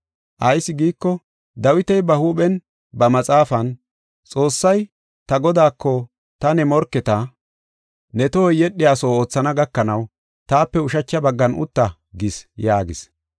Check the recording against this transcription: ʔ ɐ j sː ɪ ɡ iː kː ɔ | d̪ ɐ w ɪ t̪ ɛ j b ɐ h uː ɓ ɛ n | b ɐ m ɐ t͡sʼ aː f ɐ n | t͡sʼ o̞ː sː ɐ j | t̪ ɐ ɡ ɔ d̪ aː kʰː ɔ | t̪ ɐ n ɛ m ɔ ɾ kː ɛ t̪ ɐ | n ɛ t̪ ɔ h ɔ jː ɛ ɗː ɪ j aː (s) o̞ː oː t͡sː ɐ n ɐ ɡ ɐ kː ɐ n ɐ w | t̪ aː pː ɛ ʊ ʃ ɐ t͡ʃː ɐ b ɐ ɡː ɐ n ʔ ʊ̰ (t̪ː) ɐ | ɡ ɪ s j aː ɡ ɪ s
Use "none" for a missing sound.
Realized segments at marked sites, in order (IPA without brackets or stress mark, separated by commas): s, t̪ː